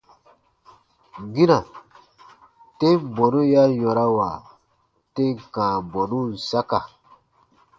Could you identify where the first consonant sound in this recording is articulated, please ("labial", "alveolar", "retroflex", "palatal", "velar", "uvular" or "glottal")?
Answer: velar